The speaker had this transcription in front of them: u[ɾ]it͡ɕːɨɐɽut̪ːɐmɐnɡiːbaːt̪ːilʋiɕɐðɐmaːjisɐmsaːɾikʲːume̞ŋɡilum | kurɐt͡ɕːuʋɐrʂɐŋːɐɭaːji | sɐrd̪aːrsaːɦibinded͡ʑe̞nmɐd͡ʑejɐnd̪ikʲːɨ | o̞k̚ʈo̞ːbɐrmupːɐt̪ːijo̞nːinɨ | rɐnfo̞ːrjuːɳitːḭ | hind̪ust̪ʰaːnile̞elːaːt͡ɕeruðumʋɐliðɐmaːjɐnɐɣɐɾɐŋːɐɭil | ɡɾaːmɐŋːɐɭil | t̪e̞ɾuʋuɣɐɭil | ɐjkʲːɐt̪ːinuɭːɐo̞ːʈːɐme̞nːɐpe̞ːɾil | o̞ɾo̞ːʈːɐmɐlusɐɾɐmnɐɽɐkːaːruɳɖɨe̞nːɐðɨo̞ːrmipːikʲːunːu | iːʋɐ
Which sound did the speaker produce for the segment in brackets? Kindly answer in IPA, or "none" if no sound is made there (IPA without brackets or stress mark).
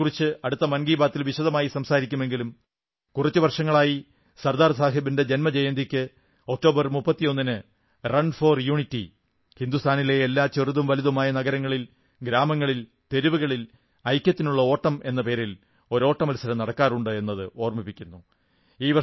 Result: r